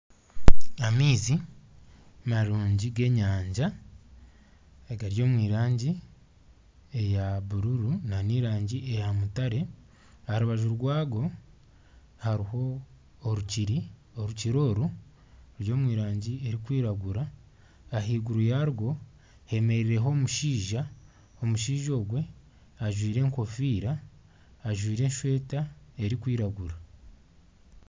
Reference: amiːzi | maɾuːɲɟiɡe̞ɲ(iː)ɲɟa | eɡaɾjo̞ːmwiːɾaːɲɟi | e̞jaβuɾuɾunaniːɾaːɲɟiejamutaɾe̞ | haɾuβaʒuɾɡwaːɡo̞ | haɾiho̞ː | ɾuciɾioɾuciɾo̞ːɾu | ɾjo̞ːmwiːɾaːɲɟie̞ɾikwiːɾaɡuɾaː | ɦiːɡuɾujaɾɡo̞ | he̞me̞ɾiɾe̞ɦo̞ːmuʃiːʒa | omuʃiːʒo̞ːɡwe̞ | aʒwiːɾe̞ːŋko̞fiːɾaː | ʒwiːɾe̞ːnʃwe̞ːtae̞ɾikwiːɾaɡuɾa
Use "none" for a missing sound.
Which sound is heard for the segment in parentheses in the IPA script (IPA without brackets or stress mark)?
aː